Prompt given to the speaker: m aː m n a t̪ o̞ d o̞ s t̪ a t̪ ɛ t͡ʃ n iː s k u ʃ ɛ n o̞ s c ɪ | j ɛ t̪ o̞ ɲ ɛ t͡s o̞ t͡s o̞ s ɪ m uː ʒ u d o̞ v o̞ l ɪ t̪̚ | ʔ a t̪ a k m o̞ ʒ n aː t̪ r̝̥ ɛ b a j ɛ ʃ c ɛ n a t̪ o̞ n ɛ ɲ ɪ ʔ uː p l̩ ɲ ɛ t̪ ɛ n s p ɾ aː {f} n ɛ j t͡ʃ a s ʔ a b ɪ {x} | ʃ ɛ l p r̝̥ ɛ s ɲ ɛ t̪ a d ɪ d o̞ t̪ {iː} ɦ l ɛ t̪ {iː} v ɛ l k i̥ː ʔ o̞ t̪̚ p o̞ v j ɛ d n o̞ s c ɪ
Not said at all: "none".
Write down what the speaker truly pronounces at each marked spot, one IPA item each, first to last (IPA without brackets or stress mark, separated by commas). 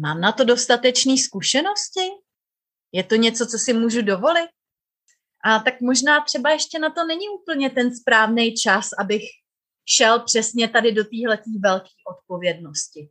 v, x, iː, iː